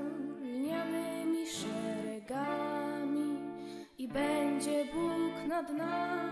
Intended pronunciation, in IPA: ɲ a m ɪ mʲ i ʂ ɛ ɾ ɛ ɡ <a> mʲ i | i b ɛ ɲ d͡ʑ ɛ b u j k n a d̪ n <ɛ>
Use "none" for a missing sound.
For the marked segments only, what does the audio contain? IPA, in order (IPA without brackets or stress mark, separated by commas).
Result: a, a